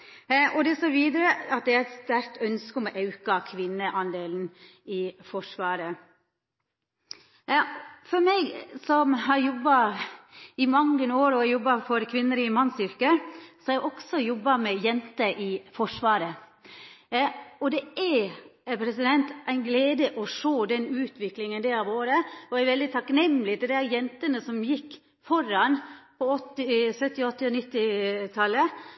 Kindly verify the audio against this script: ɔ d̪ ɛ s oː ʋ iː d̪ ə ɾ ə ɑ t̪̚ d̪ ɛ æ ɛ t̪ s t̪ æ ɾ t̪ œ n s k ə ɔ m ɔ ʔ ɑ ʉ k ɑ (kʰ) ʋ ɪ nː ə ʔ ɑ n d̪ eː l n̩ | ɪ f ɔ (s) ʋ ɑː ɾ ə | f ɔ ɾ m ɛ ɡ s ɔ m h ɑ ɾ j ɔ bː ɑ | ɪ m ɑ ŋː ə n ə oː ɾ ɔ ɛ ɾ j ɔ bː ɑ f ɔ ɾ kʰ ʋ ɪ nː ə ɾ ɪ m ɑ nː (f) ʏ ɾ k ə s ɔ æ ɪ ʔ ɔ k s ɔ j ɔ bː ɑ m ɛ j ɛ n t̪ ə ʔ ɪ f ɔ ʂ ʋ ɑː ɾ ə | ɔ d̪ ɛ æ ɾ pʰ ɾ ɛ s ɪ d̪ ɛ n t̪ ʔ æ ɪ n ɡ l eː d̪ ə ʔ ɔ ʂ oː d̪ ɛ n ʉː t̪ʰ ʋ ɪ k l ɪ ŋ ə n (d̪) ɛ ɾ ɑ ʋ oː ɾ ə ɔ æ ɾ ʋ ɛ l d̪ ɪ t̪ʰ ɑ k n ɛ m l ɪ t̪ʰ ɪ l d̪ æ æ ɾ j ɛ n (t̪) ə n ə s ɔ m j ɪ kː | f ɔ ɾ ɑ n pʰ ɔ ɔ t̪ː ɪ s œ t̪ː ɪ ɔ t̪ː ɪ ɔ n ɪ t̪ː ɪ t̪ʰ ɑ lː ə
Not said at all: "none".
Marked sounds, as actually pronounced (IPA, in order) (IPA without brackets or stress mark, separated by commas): kʰ, ʂ, s, d̪, t̪